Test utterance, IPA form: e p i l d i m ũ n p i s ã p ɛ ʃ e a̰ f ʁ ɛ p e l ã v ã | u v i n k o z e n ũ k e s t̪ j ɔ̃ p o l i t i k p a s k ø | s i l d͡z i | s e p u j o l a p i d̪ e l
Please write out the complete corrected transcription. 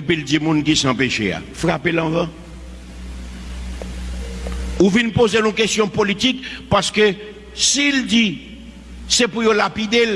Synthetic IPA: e p i l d i m ũ n k i s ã p e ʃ e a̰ f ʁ a p e l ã v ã | u v i n p o z e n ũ k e s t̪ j ɔ̃ p o l i t i k p a s k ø | s i l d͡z i | s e p u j o l a p i d̪ e l